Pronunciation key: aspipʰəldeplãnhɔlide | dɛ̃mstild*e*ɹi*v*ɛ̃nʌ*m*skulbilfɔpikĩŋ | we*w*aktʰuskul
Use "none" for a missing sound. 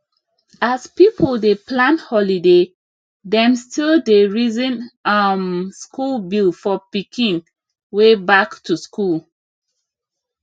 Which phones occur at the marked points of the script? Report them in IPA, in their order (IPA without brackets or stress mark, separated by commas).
e, z, m, b